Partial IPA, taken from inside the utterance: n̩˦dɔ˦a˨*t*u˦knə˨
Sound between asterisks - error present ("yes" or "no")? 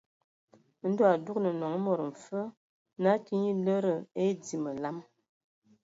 yes